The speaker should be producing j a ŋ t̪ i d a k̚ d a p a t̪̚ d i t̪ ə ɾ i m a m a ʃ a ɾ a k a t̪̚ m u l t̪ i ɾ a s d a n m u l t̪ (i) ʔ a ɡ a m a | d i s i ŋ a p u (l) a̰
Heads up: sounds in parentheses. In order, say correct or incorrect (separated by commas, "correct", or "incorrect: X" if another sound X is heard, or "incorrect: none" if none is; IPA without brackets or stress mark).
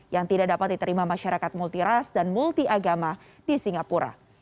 correct, incorrect: ɾ